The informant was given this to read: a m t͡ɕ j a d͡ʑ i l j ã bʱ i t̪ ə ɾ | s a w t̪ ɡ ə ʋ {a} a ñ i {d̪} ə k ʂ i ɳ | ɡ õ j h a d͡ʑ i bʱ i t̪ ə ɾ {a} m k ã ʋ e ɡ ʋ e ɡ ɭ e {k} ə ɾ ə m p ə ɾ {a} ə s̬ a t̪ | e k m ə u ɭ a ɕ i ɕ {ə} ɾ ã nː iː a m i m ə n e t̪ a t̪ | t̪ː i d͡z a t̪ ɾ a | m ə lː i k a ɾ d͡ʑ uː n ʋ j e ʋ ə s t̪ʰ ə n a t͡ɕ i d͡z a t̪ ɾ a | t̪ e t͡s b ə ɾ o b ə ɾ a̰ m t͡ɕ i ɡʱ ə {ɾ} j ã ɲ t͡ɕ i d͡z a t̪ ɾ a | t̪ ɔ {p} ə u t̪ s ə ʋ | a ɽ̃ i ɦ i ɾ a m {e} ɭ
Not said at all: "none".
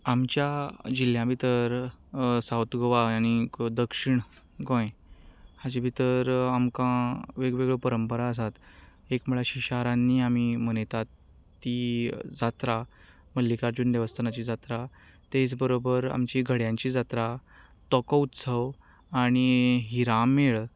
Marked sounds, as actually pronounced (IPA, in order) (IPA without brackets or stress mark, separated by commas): a, d̪, a, p, a, a, ɽ, k, e